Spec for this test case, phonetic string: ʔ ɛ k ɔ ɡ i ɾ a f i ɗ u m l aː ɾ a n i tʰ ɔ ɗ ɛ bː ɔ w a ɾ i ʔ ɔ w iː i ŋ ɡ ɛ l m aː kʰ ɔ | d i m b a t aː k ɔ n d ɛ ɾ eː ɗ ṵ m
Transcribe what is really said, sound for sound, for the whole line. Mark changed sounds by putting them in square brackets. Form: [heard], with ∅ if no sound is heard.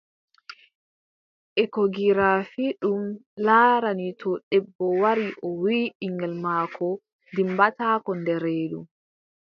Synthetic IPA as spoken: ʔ ɛ k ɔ ɡ i ɾ a f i ɗ u m l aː ɾ a n i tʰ ɔ ɗ ɛ bː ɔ w a ɾ i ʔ ɔ w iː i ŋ ɡ ɛ l m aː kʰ ɔ | d i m b a t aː k ɔ n d ɛ ɾ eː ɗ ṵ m

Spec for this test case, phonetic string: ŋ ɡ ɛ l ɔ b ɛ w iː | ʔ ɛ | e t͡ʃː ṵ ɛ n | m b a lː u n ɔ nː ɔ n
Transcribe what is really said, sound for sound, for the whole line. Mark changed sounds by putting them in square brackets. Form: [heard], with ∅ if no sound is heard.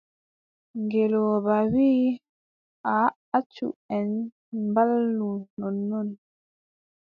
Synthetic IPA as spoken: ŋ ɡ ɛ l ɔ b [a] w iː | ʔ [a] | [a] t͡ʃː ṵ ɛ n | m b a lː u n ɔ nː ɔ n

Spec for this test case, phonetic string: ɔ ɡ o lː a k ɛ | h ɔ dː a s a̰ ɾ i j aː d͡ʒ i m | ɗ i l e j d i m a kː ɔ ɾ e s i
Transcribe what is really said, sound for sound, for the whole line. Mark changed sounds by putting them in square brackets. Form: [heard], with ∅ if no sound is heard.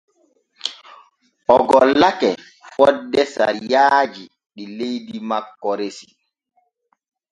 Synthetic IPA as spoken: ɔ ɡ [ɔ] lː a k ɛ | [f] ɔ dː [ɛ] s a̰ ɾ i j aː d͡ʒ i [∅] | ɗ i l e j d i m a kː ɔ ɾ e s i

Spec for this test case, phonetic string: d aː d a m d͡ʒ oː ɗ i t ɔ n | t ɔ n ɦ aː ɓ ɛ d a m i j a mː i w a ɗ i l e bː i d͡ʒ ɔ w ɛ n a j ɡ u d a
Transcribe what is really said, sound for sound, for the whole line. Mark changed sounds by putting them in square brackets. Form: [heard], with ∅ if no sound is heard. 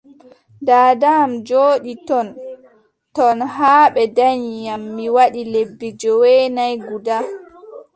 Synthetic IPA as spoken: d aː d a m d͡ʒ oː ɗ i t ɔ n | t ɔ n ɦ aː ɓ ɛ d a [ɲ] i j a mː i w a ɗ i l e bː i d͡ʒ ɔ w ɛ n a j ɡ u d a

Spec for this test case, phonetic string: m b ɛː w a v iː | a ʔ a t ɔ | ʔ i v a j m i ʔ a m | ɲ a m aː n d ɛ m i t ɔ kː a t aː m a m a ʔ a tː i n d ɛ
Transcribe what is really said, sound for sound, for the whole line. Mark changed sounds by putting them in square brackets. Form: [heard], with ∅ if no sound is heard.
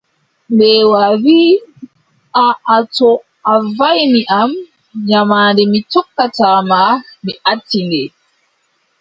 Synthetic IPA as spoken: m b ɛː w a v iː | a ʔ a t ɔ | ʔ [a] v a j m i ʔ a m | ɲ a m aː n d ɛ m i t ɔ kː a t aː m a m [i] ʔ a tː i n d ɛ

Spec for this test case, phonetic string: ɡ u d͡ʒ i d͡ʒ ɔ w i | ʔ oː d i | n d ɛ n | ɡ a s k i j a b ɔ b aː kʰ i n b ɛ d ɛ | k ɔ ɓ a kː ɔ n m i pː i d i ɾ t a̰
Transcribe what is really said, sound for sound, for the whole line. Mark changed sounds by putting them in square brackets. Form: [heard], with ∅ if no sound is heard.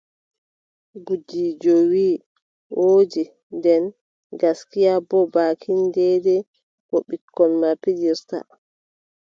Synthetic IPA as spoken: ɡ u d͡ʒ i d͡ʒ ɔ w i | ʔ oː [d͡ʒ] i | n d ɛ n | ɡ a s k i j a b ɔ b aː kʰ i n [d] ɛ d ɛ | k ɔ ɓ [i] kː ɔ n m [a] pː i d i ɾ t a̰

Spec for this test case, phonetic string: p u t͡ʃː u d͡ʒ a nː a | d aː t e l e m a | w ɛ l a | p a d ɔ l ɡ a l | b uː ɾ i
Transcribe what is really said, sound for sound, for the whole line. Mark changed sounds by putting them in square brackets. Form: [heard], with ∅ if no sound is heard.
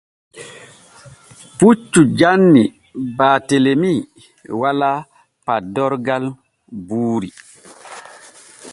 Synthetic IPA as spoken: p u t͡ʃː u d͡ʒ a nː [i] | [b] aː t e l e m [i] | w [a] l a | p a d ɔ [ɾ] ɡ a l | b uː ɾ i

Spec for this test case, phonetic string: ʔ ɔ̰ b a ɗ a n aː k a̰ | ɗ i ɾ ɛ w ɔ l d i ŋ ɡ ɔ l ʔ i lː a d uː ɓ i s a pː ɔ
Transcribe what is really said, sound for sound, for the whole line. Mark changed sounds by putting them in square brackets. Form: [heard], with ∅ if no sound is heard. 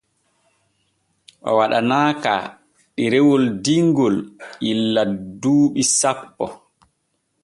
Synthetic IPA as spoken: ʔ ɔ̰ [w] a ɗ a n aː k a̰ | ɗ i ɾ ɛ w ɔ l d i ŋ ɡ ɔ l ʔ i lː a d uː ɓ i s a pː ɔ

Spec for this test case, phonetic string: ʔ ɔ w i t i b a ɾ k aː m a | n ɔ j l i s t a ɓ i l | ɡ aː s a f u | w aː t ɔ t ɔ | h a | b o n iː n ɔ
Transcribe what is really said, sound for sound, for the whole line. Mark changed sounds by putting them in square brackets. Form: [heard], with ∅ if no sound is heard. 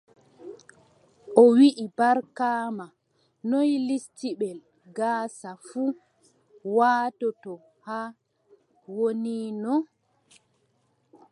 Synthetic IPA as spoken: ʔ ɔ w i [ʔ] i b a ɾ k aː m a | n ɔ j l i s t [i] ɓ [ɛ] l | ɡ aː s a f u | w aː t ɔ t ɔ | h a | [w] o n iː n ɔ

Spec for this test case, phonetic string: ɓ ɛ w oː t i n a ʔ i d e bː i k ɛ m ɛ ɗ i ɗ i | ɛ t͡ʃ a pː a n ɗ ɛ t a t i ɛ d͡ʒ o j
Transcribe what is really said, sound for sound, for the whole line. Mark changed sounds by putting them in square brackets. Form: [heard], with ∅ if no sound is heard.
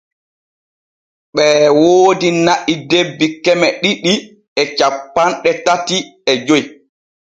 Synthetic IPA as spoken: ɓ ɛ w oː [d] i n a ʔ i d e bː i k ɛ m ɛ ɗ i ɗ i | ɛ t͡ʃ a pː a n ɗ ɛ t a t i ɛ d͡ʒ o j

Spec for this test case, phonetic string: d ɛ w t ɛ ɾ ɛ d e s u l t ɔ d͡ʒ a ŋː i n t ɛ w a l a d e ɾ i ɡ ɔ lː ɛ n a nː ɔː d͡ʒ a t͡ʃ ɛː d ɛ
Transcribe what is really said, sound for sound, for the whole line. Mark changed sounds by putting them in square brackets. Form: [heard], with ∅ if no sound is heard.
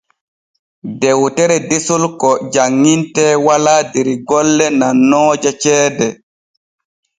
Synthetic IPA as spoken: d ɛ w t ɛ ɾ ɛ d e s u l [k] ɔ d͡ʒ a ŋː i n t ɛ w a l a d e ɾ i ɡ ɔ lː ɛ n a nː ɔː d͡ʒ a t͡ʃ ɛː d ɛ

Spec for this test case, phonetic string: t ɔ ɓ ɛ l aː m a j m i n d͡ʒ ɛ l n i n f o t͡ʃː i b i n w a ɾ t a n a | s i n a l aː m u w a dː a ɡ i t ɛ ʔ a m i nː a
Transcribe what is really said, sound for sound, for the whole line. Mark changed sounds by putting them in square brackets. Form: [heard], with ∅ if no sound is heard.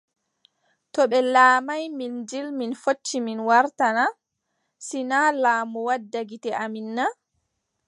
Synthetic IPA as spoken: t ɔ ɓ ɛ l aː m a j m i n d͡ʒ [i] l [m] i n f o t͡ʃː i [m] i n w a ɾ t a n a | s i n a l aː m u w a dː a ɡ i t ɛ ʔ a m i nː a

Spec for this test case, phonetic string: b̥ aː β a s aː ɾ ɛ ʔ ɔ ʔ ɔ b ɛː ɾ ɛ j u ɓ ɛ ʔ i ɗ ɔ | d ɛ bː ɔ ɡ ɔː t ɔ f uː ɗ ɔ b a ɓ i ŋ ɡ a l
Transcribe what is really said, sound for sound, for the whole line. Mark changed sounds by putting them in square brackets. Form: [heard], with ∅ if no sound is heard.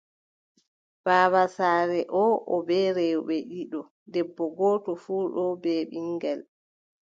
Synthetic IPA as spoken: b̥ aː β a s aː ɾ ɛ ʔ ɔ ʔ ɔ b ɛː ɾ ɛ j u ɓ ɛ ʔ i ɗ ɔ | d ɛ bː ɔ ɡ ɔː t ɔ f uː ɗ ɔ b [ɛ] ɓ i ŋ ɡ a l

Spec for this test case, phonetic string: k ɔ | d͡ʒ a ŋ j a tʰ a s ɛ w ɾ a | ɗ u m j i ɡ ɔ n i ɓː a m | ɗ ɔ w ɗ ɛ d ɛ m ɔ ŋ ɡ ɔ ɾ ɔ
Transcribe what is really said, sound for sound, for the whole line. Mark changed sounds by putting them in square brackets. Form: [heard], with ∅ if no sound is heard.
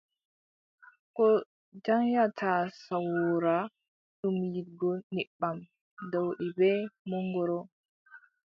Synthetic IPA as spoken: k ɔ | d͡ʒ a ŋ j a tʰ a s [a] w ɾ a | ɗ u m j i ɡ ɔ n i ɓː a m | [d] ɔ w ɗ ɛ [b] ɛ m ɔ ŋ ɡ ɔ ɾ ɔ

